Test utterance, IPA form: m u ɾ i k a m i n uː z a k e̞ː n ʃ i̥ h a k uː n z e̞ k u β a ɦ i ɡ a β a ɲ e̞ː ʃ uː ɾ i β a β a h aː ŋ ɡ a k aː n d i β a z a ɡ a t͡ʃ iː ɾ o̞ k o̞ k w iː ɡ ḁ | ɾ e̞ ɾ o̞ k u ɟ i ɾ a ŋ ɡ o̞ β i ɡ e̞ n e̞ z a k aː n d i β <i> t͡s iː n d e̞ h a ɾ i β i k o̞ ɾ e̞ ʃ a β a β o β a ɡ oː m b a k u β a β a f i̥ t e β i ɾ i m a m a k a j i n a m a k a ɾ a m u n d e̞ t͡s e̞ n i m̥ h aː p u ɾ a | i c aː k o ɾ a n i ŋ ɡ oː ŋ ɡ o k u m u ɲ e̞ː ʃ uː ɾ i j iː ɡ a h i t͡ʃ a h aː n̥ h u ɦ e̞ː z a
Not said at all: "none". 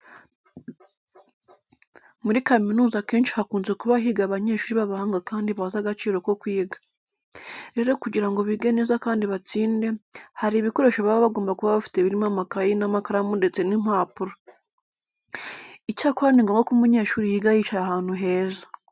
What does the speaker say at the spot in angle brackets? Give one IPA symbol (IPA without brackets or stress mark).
a